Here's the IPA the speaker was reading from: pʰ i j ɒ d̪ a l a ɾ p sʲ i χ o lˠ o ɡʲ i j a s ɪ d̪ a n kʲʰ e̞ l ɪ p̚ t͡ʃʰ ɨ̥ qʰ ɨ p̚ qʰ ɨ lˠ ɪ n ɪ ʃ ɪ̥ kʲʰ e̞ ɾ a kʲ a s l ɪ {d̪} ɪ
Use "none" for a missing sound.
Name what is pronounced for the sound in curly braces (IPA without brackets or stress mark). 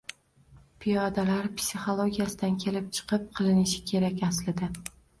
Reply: d̪